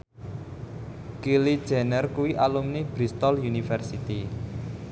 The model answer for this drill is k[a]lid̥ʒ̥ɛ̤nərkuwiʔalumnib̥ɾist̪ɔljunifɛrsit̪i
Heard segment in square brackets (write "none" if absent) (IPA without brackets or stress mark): i